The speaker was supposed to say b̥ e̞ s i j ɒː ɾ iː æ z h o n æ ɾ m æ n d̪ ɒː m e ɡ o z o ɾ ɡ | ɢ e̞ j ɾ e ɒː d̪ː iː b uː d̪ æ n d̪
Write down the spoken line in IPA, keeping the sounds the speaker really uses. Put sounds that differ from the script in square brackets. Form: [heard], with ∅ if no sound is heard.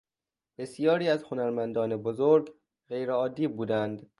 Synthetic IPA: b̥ e̞ s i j ɒː ɾ iː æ z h o n æ ɾ m æ n d̪ ɒː [n] e [b] o z o ɾ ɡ | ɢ e̞ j ɾ e ɒː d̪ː iː b uː d̪ æ n d̪